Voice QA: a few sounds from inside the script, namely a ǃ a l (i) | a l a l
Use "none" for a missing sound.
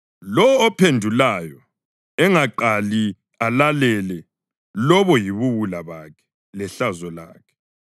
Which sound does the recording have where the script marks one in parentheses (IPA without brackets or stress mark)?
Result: i